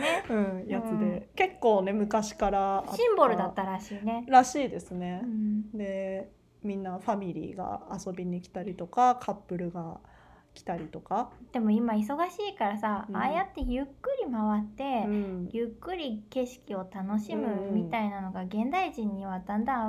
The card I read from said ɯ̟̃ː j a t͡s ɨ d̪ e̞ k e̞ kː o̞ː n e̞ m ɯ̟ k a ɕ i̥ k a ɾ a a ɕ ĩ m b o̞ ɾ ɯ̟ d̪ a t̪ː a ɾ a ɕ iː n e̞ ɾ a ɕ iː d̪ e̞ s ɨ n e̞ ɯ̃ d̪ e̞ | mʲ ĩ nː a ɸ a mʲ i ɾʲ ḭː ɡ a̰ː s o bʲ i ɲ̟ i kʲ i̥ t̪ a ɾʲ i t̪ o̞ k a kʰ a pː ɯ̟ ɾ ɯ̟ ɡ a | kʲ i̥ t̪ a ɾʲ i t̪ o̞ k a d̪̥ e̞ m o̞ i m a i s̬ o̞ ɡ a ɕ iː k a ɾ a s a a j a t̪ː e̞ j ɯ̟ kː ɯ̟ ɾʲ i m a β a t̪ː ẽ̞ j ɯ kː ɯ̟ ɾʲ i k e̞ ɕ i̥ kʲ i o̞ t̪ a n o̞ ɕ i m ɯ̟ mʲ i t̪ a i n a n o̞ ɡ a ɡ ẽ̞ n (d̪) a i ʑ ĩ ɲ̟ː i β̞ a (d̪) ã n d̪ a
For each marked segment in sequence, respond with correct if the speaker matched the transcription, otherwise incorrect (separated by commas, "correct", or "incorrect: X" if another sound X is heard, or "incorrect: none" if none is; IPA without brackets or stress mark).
correct, correct